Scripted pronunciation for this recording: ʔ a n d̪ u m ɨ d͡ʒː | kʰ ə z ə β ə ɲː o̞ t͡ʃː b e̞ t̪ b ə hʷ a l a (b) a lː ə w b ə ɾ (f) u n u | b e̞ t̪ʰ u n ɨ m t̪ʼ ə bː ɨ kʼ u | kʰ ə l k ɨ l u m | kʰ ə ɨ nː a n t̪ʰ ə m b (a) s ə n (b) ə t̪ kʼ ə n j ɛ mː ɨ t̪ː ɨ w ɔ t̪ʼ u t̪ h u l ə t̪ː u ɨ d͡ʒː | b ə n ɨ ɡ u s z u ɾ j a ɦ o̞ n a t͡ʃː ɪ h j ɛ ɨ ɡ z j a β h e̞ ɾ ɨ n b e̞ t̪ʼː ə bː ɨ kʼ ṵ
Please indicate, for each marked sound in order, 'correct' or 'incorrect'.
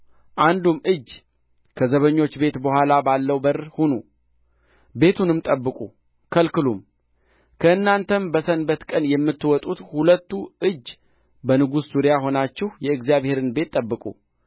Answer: correct, incorrect, incorrect, correct

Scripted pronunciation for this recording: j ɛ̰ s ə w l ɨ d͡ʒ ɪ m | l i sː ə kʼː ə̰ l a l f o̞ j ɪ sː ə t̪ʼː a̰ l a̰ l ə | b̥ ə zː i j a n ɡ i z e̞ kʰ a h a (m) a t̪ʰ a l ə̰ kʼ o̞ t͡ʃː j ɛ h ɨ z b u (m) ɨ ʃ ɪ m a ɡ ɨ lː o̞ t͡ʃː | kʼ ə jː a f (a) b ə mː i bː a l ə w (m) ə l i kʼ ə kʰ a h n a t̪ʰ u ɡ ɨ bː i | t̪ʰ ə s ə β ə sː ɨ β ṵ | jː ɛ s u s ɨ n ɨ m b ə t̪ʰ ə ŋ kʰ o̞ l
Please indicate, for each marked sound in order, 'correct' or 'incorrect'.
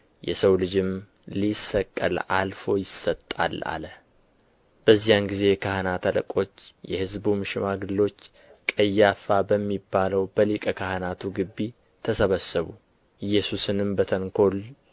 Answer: incorrect, correct, correct, incorrect

